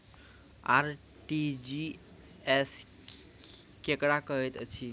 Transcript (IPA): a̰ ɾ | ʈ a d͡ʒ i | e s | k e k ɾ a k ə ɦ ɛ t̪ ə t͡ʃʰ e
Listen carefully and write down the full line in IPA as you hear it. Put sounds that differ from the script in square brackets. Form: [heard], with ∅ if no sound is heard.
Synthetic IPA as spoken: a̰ ɾ | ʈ [i] d͡ʒ i | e s | k e k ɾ a k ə ɦ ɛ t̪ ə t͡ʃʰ [i]

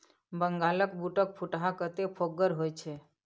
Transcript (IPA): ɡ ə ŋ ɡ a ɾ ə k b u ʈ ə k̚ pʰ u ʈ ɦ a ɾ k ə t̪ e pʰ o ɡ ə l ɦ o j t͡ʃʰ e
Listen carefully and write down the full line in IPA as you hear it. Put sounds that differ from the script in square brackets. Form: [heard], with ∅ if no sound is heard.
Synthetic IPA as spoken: [b] ə ŋ ɡ a [l] ə k b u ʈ ə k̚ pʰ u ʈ ɦ a [∅] k ə t̪ e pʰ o ɡ ə [ɾ] ɦ o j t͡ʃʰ e

